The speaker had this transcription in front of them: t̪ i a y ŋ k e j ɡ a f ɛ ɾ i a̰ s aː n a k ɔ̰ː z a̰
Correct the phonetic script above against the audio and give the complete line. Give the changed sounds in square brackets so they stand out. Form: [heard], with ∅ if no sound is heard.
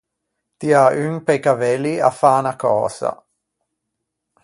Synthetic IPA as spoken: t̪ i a y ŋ [p] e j [k] a [v] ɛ [l] i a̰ [f] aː n a k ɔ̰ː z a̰

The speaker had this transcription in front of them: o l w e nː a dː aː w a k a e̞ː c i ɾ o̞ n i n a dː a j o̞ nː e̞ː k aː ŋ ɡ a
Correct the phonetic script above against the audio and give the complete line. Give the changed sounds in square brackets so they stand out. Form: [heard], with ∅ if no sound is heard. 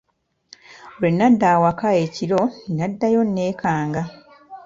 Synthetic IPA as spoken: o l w e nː a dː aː w a k a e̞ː c i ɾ o̞ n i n a dː a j o̞ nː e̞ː k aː ŋ ɡ a

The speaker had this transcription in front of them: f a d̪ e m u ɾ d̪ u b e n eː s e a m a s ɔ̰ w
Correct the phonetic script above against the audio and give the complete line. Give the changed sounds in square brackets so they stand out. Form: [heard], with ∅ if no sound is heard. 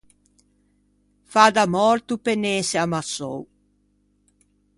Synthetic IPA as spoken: f a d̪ [a] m [ɔ] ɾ [t̪] u [p] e n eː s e a m a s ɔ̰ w

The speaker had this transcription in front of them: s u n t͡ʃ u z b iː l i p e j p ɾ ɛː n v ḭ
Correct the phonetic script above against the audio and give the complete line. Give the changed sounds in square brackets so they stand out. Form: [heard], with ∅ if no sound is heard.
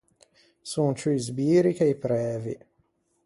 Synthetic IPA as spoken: s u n t͡ʃ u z b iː [ɾ] i [k] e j p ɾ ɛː [∅] v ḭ

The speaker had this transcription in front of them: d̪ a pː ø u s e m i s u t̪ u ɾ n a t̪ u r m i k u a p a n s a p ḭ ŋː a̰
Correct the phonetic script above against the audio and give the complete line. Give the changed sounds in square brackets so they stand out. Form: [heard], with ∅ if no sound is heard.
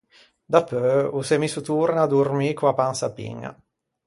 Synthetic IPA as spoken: d̪ a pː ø u s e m i s u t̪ u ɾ n a [d̪] u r m i k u a p a n s a p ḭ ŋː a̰

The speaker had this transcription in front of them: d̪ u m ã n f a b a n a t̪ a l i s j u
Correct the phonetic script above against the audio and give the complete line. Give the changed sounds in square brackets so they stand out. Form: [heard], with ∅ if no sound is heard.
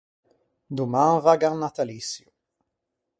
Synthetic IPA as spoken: d̪ u m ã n [v] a [ɡ] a n a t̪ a l i s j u

